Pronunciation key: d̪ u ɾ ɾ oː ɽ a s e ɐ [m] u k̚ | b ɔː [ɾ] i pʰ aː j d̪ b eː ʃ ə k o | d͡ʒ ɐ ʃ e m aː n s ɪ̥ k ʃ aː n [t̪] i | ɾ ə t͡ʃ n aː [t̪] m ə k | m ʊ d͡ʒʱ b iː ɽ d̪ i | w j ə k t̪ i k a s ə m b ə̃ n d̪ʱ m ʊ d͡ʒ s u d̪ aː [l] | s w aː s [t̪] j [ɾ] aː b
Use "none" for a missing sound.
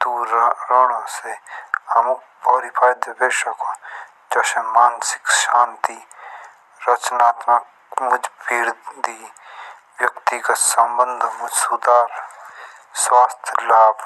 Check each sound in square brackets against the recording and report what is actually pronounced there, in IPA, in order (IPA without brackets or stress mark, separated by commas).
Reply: m, ɾ, t̪, t̪, ɾ, t̪ʰ, l